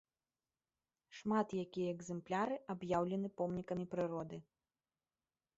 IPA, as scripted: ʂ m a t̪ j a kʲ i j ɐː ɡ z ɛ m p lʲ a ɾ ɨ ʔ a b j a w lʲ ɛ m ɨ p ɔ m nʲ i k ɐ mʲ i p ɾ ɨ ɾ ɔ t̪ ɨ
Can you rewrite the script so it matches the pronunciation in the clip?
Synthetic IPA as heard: ʂ m a t̪ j a kʲ i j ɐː ɡ z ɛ m p lʲ a ɾ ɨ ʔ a b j a w lʲ ɛ n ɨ p ɔ m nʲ i k ɐ mʲ i p ɾ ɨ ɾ ɔ d̪ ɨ